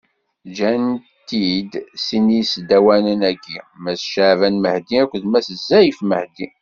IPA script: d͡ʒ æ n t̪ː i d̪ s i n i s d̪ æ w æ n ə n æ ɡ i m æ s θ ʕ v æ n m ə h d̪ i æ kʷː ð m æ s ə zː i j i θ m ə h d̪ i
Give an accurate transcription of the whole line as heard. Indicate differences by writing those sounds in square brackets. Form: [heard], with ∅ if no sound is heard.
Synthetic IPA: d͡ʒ æ n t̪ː i d̪ s i n i s d̪ æ w æ n ə n æ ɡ i m æ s [ʃ] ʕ v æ n m ə h d̪ i æ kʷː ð m æ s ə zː [æ] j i [f] m ə h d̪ i